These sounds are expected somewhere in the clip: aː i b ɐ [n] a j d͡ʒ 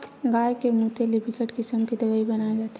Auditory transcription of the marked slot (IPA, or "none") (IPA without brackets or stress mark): n